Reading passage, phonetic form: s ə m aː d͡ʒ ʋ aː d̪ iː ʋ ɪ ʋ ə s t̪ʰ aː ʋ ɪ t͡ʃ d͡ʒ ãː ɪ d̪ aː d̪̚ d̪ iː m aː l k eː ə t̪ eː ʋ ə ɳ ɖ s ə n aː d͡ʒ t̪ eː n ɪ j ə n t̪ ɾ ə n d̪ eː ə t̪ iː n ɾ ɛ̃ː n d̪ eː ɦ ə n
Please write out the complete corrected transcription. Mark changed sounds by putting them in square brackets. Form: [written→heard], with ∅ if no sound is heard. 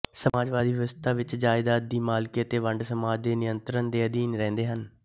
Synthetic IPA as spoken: s ə m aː d͡ʒ ʋ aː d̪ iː ʋ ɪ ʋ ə s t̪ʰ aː ʋ ɪ t͡ʃ d͡ʒ [ãː→aː] ɪ d̪ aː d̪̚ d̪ iː m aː l k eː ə t̪ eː ʋ ə ɳ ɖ s ə [n→m] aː d͡ʒ [t̪→d̪] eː n ɪ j ə n t̪ ɾ ə n d̪ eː ə [t̪→d̪] iː n ɾ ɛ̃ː n d̪ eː ɦ ə n